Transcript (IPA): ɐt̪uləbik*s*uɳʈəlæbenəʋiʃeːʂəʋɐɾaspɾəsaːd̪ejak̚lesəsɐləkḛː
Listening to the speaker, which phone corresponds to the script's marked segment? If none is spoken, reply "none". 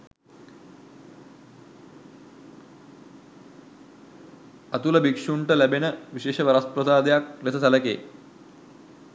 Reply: ʂ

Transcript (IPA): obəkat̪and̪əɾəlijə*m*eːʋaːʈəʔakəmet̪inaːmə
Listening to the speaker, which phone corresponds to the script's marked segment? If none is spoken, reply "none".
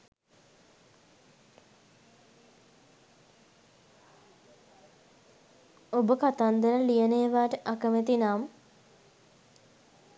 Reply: n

